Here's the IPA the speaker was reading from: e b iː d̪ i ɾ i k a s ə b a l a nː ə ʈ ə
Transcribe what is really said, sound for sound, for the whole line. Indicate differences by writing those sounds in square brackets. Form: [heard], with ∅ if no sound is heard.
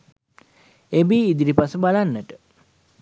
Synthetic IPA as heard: e b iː d̪ i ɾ i [p] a s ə b a l a nː ə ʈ ə